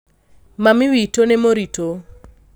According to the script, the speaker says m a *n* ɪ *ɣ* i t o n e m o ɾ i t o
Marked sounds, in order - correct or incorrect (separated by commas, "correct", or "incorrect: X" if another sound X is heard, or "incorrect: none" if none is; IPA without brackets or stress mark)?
incorrect: m, incorrect: w